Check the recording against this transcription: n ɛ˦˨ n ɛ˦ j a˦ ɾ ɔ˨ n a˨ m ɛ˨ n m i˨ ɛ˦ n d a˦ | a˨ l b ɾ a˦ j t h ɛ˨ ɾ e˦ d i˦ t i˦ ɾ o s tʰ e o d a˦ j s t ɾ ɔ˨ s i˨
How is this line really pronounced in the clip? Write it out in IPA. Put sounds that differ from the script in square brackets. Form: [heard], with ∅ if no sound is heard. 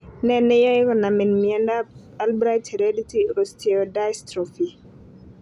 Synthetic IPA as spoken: n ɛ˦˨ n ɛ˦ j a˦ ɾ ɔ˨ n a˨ m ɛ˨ n m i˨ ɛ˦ n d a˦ | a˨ l b ɾ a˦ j t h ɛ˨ ɾ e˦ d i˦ t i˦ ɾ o s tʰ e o d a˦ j s t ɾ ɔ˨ [f] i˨